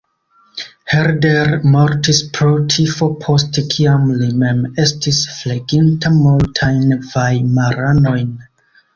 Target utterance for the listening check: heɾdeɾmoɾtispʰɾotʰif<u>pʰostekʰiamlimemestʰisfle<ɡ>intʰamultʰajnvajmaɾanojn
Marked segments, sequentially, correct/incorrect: incorrect, correct

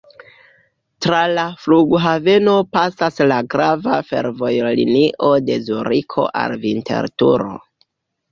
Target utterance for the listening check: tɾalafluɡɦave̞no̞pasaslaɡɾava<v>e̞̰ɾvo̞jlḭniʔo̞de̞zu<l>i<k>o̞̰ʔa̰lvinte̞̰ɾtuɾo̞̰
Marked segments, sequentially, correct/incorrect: incorrect, incorrect, incorrect

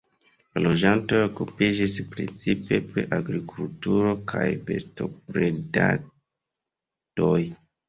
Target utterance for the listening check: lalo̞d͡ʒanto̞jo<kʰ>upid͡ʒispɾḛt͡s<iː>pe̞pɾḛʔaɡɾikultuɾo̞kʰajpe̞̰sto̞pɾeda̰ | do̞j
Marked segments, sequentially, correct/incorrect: incorrect, incorrect

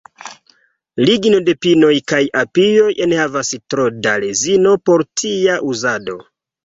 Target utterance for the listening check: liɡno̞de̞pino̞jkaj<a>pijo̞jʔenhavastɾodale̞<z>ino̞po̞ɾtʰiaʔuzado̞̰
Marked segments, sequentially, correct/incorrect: correct, correct

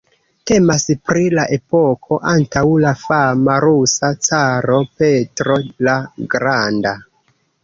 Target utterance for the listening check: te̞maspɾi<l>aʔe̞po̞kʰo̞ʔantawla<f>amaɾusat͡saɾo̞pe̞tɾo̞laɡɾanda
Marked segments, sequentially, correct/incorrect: correct, correct

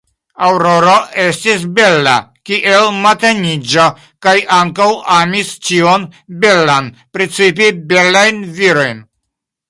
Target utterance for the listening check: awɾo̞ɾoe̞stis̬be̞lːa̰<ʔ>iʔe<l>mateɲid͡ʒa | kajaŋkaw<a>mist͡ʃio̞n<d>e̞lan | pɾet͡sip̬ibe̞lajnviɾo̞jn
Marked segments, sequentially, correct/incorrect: incorrect, correct, correct, incorrect

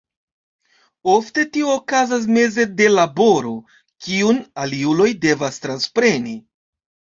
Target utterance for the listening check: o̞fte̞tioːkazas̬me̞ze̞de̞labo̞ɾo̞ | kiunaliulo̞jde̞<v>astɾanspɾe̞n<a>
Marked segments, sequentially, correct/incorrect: correct, incorrect

